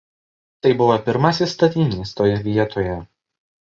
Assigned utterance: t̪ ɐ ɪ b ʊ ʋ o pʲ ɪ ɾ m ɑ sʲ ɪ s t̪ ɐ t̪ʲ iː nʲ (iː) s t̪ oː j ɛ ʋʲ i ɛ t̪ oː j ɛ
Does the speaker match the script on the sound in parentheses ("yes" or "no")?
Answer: yes